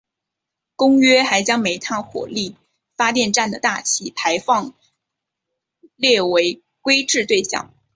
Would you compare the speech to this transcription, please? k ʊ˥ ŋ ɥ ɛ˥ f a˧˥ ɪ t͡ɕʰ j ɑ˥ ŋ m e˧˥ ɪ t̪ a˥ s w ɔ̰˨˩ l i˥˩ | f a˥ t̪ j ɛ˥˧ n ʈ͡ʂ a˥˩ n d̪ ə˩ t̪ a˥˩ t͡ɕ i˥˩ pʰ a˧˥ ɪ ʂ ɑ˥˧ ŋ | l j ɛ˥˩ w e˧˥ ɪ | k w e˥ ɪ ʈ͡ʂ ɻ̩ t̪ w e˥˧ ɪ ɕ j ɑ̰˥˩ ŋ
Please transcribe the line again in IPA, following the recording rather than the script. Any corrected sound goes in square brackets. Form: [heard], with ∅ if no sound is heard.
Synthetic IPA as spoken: k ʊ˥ ŋ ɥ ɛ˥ [x] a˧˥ ɪ [t͡ɕ] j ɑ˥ ŋ m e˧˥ ɪ [t̪ʰ] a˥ [x] w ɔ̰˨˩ l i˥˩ | f a˥ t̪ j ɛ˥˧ n ʈ͡ʂ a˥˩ n d̪ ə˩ t̪ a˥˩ [t͡ɕʰ] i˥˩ pʰ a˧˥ ɪ [f] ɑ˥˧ ŋ | l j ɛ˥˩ w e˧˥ ɪ | k w e˥ ɪ ʈ͡ʂ ɻ̩ t̪ w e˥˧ ɪ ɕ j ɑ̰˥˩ ŋ

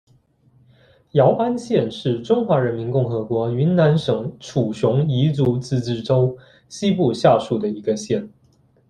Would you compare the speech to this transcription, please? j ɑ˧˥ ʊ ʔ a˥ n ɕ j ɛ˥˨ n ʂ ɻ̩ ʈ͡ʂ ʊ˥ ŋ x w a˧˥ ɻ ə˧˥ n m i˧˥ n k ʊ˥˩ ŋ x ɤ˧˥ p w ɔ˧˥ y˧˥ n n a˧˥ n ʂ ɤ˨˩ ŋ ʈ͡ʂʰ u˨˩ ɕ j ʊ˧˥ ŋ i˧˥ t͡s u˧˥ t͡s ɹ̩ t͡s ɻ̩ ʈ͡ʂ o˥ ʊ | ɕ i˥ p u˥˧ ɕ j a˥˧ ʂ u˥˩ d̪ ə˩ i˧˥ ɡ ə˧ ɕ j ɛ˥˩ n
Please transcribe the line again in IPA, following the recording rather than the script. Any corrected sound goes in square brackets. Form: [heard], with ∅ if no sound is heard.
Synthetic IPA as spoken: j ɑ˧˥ ʊ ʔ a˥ n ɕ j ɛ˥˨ n ʂ ɻ̩ ʈ͡ʂ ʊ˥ ŋ x w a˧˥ ɻ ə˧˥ n m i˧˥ n k ʊ˥˩ ŋ x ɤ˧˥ [k] w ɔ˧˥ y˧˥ n n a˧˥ n ʂ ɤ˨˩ ŋ ʈ͡ʂʰ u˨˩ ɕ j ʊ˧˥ ŋ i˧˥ t͡s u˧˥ t͡s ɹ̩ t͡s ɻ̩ ʈ͡ʂ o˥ ʊ | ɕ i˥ p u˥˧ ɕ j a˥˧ ʂ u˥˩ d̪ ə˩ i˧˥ ɡ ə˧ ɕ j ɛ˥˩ n

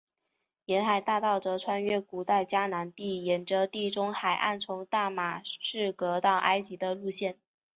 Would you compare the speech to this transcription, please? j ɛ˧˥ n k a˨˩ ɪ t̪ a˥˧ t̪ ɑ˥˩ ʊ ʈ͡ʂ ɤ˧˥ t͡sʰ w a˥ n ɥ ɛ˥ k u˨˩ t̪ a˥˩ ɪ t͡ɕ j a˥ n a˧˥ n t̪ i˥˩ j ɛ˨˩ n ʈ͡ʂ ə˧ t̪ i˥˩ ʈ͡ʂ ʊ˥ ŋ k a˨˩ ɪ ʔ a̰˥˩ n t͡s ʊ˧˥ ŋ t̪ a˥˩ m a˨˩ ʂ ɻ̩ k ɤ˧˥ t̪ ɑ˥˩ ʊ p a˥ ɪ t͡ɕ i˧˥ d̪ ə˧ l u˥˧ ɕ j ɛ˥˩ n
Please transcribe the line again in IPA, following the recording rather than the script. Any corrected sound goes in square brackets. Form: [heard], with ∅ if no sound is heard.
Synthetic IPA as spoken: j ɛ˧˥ n [x] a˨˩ ɪ t̪ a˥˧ t̪ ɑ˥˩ ʊ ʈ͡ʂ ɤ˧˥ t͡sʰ w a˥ n ɥ ɛ˥ k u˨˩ t̪ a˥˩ ɪ t͡ɕ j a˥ n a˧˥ n t̪ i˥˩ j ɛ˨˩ n ʈ͡ʂ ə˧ t̪ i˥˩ ʈ͡ʂ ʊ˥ ŋ [x] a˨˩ ɪ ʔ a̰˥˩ n [t͡sʰ] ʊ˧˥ ŋ t̪ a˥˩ m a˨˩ ʂ ɻ̩ k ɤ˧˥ t̪ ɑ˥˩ ʊ [ʔ] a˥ ɪ t͡ɕ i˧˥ d̪ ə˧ l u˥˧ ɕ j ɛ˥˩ n

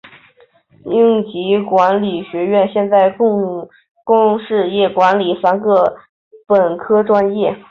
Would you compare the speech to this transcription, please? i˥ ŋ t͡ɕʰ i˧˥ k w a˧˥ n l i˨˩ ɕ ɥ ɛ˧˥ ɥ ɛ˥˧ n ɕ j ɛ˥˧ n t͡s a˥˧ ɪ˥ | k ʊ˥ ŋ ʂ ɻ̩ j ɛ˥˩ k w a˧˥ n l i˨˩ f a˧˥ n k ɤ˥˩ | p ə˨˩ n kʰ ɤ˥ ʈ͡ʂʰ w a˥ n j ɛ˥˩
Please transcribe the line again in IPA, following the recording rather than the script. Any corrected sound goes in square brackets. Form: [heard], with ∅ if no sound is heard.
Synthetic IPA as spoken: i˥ ŋ [t͡ɕ] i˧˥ k w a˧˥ n l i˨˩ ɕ ɥ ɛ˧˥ ɥ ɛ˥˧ n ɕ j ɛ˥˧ n t͡s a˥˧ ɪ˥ | k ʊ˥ ŋ ʂ ɻ̩ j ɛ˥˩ k w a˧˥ n l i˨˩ f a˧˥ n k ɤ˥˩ | p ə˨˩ n kʰ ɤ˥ [ʈ͡ʂ] w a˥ n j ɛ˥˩

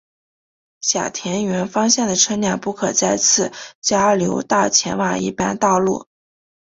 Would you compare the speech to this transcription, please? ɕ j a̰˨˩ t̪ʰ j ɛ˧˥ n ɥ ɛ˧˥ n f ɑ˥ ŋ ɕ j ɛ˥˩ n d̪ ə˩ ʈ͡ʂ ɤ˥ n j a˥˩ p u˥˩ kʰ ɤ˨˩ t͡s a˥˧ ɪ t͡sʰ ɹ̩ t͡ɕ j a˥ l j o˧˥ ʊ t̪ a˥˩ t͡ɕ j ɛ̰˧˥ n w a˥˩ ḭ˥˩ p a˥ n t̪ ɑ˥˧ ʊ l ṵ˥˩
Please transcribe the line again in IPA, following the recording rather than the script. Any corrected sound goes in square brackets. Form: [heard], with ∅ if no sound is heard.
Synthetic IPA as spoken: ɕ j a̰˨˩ t̪ʰ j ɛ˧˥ n ɥ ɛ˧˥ n f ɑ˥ ŋ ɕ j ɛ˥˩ n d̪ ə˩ [ʈ͡ʂʰ] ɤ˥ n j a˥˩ p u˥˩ kʰ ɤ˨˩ t͡s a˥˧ ɪ t͡sʰ ɹ̩ t͡ɕ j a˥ l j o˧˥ ʊ t̪ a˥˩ [t͡ɕʰ] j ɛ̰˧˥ n w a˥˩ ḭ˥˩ p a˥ n t̪ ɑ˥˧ ʊ l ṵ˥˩

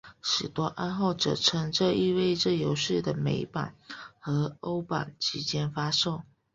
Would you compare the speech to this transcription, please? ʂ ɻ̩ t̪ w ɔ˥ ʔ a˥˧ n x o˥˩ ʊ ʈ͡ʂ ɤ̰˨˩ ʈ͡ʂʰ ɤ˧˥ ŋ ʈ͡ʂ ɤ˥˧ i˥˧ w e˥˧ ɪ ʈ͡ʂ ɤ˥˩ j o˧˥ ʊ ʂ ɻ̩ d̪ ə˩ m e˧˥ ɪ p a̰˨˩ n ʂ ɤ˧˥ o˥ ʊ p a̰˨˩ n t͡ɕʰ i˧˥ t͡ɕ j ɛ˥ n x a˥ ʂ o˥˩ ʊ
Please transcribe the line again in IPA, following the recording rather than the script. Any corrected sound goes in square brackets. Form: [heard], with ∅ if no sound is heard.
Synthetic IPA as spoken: ʂ ɻ̩ t̪ w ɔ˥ ʔ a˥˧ n x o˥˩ ʊ ʈ͡ʂ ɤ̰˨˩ ʈ͡ʂʰ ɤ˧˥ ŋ ʈ͡ʂ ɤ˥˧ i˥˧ w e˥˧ ɪ ʈ͡ʂ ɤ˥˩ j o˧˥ ʊ ʂ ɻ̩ d̪ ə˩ m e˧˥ ɪ p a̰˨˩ n [x] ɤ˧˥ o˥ ʊ p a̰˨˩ n t͡ɕʰ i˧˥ t͡ɕ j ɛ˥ n [f] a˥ ʂ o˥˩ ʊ

